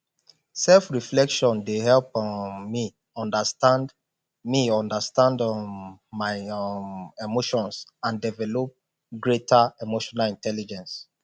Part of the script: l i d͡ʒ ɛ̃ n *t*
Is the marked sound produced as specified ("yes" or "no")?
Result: no